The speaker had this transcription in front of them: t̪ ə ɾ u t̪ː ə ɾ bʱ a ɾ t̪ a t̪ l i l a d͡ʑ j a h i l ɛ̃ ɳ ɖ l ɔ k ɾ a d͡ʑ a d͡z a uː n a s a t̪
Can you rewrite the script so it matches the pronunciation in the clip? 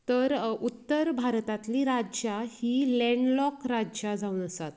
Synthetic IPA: t̪ ə ɾ u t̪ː ə ɾ bʱ a ɾ t̪ a t̪ l i ɾ a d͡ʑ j a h i l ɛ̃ ɳ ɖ l ɔ k ɾ a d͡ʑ a d͡z a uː n ə s a t̪